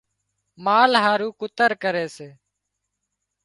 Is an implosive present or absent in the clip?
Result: absent